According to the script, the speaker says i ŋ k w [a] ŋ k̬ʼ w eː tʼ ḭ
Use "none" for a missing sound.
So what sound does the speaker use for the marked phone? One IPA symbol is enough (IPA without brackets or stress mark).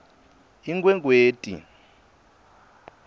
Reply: ɛ